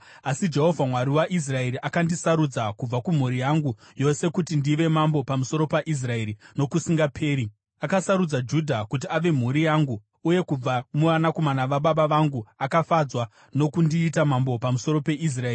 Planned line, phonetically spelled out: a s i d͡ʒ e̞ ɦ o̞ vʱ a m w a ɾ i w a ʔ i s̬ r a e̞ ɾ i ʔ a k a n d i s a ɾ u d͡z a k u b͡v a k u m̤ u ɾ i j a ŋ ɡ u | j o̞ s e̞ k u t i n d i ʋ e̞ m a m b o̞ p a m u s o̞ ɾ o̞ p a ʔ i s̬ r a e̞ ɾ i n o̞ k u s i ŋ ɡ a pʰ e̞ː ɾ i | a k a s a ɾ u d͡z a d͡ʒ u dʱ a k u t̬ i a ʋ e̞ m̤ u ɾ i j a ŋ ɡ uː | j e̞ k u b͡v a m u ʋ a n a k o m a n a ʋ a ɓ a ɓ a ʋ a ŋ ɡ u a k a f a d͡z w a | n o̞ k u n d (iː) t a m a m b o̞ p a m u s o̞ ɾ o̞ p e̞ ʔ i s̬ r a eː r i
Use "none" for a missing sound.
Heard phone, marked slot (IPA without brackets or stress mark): iː